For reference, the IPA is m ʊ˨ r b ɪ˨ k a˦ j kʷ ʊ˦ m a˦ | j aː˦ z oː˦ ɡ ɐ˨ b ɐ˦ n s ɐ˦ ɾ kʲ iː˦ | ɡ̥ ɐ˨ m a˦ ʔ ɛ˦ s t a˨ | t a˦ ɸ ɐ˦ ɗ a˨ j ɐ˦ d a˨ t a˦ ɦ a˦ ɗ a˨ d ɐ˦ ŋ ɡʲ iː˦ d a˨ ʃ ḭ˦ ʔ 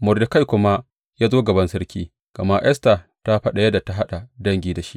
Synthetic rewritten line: m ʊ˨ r d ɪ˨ k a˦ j kʷ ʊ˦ m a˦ | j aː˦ z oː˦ ɡ ɐ˨ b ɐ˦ n s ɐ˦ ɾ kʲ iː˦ | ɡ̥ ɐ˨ m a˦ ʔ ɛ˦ s t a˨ | t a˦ ɸ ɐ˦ ɗ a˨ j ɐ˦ d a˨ t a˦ ɦ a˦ ɗ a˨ d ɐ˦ ŋ ɡʲ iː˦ d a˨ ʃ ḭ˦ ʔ